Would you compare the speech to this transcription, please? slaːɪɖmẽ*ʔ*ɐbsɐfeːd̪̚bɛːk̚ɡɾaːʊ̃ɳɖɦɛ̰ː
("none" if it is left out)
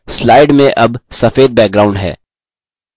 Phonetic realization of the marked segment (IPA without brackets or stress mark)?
ʔ